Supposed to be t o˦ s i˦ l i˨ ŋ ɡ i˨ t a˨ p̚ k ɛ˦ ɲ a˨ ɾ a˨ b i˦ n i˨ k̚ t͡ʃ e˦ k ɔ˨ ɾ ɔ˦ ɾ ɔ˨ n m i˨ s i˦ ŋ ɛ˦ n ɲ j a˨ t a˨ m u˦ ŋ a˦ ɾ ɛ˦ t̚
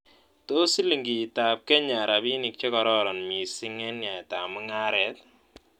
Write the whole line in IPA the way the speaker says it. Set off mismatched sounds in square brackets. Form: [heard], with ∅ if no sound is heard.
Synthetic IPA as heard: t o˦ s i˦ l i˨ ŋ ɡ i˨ t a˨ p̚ k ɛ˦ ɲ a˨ ɾ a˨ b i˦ n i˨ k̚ t͡ʃ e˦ k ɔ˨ ɾ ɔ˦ ɾ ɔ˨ n m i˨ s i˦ ŋ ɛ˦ n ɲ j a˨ t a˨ m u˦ ŋ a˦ ɾ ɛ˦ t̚